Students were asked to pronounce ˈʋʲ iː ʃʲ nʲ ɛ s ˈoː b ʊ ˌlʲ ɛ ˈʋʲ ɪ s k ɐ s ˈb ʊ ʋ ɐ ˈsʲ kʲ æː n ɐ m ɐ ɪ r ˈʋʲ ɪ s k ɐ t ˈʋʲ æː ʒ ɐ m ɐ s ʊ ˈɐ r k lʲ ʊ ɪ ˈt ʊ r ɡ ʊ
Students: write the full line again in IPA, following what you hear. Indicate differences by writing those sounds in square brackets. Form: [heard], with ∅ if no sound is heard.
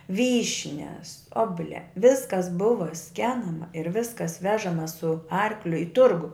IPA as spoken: ˈʋʲ iː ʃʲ nʲ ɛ s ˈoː b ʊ ˌlʲ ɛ ˈʋʲ ɪ s k ɐ s ˈb ʊ ʋ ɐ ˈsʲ kʲ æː n ɐ m ɐ ɪ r ˈʋʲ ɪ s k ɐ [s] ˈʋʲ æː ʒ ɐ m ɐ s ʊ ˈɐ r k lʲ ʊ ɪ ˈt ʊ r ɡ ʊ

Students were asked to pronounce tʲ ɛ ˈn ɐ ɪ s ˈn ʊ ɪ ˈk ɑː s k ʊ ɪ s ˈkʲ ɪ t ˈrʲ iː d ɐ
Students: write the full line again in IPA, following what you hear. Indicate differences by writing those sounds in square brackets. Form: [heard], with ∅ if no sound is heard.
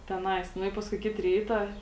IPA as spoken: tʲ ɛ ˈn ɐ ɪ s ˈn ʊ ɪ [ˈp] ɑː s k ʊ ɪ [∅] ˈkʲ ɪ t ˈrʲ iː [t] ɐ

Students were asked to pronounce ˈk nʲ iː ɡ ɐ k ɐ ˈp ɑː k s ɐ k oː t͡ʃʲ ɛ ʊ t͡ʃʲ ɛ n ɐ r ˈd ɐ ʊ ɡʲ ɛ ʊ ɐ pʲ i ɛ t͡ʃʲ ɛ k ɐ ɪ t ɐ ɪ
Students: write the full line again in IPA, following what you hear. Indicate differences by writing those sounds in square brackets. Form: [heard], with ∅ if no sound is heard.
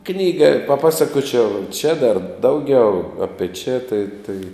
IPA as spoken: ˈk nʲ iː ɡ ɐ [p] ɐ ˈp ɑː [∅] s ɐ k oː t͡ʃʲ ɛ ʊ t͡ʃʲ ɛ [d] ɐ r ˈd ɐ ʊ ɡʲ ɛ ʊ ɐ pʲ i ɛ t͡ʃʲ ɛ [t] ɐ ɪ t ɐ ɪ

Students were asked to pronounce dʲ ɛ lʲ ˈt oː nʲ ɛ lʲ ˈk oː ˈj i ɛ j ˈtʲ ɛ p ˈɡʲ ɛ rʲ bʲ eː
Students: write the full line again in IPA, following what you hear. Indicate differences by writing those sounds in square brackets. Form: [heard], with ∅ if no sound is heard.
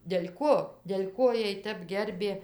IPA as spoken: dʲ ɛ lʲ [ˈk] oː [dʲ] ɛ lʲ ˈk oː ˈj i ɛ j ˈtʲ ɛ p ˈɡʲ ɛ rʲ bʲ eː

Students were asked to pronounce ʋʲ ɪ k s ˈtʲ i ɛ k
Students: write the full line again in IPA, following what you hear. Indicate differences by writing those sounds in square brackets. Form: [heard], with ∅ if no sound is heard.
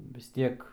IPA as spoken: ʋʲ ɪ [∅] s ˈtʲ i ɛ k

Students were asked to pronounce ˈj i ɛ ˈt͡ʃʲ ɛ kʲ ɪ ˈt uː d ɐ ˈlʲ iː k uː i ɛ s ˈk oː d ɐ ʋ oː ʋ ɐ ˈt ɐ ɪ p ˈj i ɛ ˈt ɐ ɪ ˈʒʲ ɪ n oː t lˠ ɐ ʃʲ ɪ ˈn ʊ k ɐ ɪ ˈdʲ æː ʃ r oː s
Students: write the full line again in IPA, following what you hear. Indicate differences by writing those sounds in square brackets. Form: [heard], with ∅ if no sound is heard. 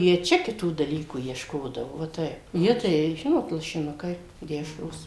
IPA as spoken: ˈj i ɛ ˈt͡ʃʲ ɛ kʲ ɪ ˈt uː d ɐ ˈlʲ iː k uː i ɛ [ʃ] ˈk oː d ɐ ʋ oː ʋ ɐ ˈt ɐ ɪ p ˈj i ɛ ˈt ɐ ɪ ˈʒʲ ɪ n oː t lˠ ɐ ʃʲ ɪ ˈn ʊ k ɐ ɪ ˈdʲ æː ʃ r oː s

